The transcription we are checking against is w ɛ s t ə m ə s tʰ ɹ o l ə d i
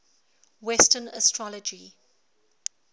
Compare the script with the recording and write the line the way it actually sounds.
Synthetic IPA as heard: w ɛ s t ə n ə s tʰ ɹ ɔ l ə d͡ʒ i